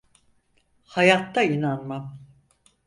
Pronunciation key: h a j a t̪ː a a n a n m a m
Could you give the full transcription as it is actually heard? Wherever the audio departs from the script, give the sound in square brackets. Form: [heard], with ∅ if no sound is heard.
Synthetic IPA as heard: h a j a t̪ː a [i] n a n m a m